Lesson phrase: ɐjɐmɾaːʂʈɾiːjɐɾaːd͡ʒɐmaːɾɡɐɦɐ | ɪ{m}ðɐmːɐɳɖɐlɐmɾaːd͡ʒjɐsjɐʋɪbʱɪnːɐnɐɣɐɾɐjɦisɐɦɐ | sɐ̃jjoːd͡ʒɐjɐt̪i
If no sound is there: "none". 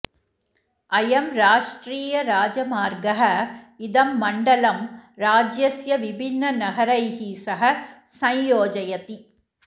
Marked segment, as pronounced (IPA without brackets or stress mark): none